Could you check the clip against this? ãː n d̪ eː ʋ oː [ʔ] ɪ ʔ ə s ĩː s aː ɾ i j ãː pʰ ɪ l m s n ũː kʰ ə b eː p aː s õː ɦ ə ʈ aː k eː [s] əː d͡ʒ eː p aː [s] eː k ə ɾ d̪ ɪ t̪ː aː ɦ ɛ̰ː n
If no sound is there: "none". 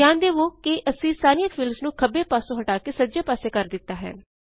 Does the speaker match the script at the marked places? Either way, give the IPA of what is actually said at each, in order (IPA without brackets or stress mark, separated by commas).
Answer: k, s, s